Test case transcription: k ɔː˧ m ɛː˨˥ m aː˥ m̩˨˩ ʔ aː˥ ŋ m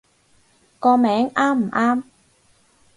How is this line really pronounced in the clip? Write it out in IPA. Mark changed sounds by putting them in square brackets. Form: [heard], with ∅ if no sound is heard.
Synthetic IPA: k ɔː˧ m ɛː˨˥ [ŋ] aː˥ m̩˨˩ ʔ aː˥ [∅] m